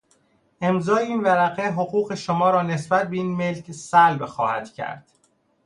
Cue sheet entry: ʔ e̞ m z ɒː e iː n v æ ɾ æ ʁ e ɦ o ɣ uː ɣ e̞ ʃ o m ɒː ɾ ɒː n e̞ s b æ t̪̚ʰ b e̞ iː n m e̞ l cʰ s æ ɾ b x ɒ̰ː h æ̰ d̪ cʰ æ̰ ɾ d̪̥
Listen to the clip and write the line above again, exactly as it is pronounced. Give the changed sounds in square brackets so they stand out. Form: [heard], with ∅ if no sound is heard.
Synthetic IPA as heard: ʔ e̞ m z ɒː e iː n v æ ɾ æ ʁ e ɦ o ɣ uː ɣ e̞ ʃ o m ɒː ɾ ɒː n e̞ s b æ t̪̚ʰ b e̞ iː n m e̞ l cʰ s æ [l] b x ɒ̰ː h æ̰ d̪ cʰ æ̰ ɾ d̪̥